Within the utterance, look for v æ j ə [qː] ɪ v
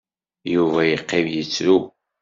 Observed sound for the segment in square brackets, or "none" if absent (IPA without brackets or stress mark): qː